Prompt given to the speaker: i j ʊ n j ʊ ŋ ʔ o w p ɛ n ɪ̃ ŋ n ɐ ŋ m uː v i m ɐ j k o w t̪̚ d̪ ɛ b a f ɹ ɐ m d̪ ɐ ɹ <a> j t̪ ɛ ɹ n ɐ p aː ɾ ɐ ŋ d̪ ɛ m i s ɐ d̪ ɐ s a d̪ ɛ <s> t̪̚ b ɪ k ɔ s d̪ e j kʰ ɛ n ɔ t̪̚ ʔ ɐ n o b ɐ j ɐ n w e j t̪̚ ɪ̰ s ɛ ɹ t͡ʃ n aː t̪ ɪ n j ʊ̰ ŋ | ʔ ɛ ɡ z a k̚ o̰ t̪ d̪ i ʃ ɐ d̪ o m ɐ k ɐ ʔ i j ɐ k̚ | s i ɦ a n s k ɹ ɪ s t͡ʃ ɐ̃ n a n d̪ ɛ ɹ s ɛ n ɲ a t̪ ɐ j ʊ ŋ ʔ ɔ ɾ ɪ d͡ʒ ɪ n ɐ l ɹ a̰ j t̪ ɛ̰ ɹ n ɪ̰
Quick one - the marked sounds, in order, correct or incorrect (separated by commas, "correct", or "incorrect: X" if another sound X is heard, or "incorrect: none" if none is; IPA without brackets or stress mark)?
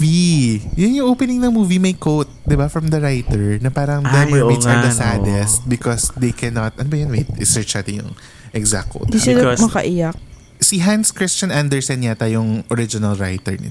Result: correct, correct